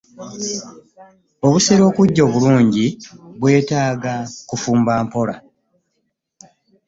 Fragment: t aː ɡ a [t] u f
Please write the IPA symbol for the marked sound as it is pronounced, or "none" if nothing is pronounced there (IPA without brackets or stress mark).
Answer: k